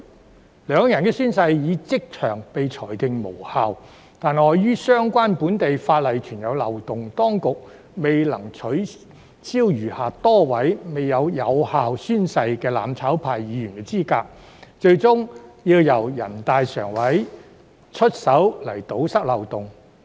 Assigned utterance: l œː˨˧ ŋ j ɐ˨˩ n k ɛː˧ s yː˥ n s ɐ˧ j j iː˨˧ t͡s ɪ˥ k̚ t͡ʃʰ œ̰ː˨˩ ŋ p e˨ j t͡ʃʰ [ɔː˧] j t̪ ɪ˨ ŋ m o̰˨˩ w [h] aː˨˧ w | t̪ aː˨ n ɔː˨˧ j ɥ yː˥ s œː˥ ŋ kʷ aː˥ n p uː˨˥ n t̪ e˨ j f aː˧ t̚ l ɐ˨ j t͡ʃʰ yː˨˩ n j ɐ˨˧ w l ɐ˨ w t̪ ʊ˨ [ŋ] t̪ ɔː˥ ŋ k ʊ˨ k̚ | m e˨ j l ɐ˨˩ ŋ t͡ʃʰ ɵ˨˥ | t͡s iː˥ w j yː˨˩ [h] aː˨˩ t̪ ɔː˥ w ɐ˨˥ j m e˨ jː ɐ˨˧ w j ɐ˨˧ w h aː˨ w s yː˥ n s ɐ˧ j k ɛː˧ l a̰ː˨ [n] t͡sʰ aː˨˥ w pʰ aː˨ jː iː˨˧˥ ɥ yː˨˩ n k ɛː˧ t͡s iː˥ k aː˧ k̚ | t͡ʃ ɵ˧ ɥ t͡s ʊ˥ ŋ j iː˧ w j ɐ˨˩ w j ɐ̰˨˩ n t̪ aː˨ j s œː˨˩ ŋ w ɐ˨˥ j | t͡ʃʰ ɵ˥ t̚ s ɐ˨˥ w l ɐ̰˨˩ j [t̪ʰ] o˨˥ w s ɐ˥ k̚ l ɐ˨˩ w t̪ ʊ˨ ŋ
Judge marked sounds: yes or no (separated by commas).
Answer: no, yes, yes, yes, no, no